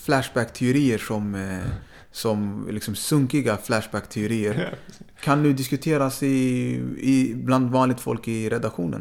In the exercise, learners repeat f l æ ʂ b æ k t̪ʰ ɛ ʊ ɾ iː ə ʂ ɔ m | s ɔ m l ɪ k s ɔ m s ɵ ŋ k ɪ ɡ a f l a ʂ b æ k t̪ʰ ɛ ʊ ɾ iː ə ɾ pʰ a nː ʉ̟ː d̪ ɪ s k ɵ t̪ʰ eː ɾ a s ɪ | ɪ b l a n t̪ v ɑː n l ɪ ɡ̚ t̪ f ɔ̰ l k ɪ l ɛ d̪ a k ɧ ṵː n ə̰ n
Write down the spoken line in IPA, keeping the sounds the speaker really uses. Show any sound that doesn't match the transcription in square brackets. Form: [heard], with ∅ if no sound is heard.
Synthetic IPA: f l æ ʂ b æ k t̪ʰ ɛ ʊ ɾ iː ə ʂ ɔ m | s ɔ m l ɪ k s ɔ m s ɵ ŋ k ɪ ɡ a f l [æ] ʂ b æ k t̪ʰ ɛ ʊ ɾ iː ə ɾ [kʰ] a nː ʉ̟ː d̪ ɪ s k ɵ t̪ʰ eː ɾ a s ɪ | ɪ b l a n [d̪] v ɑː n l ɪ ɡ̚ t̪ f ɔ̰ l k ɪ [ɾ] ɛ d̪ a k ɧ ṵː n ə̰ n